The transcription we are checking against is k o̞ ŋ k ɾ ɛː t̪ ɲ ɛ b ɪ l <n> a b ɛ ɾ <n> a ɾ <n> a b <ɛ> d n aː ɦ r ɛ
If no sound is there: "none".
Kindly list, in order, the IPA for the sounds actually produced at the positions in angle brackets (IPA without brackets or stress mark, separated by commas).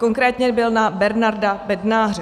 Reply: n, n, d, ɛ